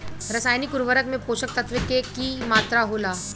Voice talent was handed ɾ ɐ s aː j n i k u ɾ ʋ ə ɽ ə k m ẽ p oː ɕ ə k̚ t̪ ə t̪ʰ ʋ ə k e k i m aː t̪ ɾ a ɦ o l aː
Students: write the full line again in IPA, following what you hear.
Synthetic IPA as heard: ɾ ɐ s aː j n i k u ɾ ʋ ə ɾ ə k m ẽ p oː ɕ ə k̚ t̪ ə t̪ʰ ʋ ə k e k i m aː t̪ ɾ a ɦ o l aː